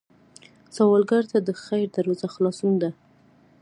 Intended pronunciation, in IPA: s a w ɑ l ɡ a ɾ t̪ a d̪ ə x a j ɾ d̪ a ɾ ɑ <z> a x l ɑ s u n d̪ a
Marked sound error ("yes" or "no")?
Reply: no